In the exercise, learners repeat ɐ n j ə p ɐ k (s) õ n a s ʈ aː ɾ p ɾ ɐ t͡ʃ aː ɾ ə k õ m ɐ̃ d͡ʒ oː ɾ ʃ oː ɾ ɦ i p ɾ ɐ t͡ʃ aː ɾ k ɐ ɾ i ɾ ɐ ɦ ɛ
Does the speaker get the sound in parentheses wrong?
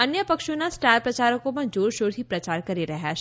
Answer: yes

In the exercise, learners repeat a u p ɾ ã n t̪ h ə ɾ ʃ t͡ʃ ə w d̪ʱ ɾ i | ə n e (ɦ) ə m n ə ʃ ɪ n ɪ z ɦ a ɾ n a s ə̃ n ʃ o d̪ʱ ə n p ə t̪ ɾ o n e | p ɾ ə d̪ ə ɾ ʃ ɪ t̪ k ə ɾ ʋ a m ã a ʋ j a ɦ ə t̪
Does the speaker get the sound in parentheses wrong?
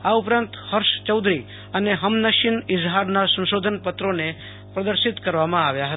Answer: no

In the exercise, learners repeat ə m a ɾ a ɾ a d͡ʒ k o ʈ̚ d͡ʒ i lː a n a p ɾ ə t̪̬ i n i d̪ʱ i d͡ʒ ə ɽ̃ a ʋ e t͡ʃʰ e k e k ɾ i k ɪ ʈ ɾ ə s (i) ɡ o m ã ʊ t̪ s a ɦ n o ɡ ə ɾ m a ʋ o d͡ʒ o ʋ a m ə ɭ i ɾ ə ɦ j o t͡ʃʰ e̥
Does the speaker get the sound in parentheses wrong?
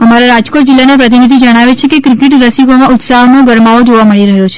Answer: no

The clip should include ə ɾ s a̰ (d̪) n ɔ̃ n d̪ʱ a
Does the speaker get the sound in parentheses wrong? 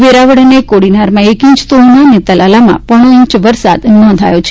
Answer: no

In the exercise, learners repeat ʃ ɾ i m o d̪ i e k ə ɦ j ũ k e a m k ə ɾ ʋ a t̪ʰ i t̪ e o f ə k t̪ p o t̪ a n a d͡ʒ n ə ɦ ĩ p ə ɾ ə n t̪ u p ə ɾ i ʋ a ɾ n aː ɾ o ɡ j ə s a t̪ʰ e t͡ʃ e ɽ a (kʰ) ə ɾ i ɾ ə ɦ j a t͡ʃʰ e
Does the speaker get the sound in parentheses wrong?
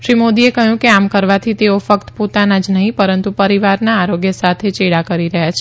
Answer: yes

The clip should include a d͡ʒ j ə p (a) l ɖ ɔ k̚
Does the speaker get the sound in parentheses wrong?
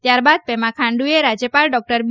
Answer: no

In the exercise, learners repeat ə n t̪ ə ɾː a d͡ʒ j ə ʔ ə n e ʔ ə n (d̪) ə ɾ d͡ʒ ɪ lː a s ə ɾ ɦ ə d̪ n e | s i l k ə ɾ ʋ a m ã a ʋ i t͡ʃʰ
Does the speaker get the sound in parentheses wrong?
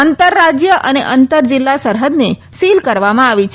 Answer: yes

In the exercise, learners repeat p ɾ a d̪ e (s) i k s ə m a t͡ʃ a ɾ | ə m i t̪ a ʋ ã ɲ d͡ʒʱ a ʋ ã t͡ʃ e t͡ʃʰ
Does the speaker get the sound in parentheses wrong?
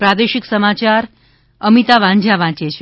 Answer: yes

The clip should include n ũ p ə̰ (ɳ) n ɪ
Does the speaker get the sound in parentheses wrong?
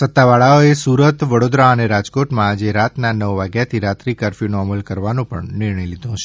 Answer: no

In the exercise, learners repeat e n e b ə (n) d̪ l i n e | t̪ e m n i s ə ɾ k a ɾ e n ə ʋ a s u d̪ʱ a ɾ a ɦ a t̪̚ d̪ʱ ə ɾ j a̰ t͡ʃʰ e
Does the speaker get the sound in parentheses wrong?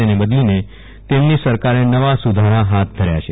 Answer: yes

